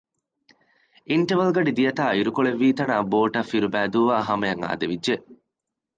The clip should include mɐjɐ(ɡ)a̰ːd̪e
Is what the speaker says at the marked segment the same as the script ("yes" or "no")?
no